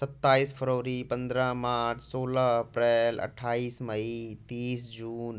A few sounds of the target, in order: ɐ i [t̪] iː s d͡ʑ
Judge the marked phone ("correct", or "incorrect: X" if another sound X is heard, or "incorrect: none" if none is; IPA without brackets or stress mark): correct